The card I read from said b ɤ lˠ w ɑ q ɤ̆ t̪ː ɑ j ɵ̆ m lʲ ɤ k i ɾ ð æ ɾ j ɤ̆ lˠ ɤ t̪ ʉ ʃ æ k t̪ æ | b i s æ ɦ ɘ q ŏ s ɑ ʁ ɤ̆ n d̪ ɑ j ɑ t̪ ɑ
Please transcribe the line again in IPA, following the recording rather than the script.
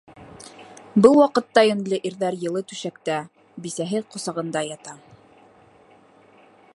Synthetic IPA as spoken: b ɤ lˠ w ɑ q ɤ̆ t̪ː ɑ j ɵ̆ n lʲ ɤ ʔ i ɾ ð æ ɾ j ɤ̆ lˠ ɤ t̪ ʉ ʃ æ k t̪ æ | b i s æ ɦ ɘ q ŏ s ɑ ʁ ɤ̆ n d̪ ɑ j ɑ t̪ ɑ